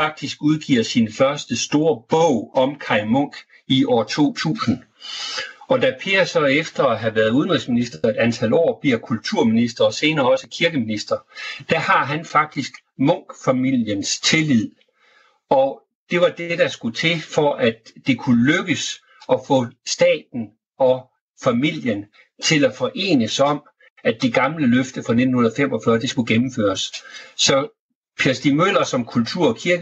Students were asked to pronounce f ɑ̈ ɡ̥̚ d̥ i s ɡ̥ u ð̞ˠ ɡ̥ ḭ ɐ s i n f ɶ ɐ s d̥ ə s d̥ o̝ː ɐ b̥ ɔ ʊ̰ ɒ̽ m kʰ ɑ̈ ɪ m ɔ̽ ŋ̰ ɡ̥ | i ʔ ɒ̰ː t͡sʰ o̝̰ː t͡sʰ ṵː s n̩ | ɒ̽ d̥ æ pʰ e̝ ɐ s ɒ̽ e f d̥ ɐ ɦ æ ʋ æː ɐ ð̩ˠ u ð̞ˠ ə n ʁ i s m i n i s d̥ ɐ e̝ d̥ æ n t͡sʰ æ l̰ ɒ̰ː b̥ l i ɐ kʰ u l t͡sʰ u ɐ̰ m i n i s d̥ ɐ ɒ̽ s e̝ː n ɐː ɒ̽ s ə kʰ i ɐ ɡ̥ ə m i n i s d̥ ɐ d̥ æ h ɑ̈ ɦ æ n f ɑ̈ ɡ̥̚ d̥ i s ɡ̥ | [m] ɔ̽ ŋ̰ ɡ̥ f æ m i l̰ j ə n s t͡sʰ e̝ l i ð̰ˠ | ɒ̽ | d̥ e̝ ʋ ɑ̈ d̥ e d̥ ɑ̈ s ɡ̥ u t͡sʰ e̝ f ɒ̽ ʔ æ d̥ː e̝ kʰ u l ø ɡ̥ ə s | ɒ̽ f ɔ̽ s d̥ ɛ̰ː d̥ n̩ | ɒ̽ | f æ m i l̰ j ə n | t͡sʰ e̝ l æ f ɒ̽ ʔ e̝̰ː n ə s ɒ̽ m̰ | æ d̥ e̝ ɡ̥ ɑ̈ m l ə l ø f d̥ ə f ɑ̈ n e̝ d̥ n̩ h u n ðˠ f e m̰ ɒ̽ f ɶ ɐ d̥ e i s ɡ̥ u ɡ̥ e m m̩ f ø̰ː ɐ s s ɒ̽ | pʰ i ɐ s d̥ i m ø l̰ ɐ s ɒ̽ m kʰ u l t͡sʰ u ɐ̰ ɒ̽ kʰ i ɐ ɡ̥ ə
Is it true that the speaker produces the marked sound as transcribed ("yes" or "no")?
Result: yes